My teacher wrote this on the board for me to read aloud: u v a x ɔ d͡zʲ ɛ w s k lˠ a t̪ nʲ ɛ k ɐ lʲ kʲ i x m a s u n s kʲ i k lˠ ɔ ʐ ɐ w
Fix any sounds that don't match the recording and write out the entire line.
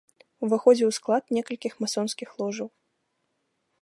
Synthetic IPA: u v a x ɔ d͡zʲ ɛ w s k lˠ a t̪ nʲ ɛ k ɐ lʲ kʲ i x m a s ɔ n s kʲ i x lˠ ɔ ʐ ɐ w